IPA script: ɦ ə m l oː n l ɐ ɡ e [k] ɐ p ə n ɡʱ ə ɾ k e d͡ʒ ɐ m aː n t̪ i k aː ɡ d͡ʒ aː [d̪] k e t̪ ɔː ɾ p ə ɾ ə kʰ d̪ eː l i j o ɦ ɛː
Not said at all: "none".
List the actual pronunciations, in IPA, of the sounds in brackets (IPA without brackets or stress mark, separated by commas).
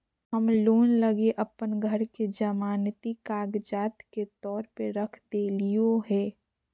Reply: ʔ, t̪